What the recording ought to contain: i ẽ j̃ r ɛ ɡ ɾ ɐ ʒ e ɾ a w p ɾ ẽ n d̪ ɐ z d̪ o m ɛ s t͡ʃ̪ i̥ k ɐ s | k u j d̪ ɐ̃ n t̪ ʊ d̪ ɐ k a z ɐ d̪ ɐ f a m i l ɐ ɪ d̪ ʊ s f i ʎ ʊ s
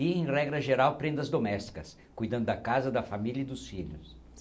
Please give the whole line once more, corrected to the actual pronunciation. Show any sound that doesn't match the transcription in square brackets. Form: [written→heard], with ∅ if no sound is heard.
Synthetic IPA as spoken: i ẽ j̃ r ɛ ɡ ɾ ɐ ʒ e ɾ a w p ɾ ẽ n d̪ ɐ z d̪ o m ɛ s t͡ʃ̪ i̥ k ɐ s | k u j d̪ ɐ̃ n [t̪→d̪] ʊ d̪ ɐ k a z ɐ d̪ ɐ f a m i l ɐ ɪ d̪ ʊ s f i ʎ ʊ s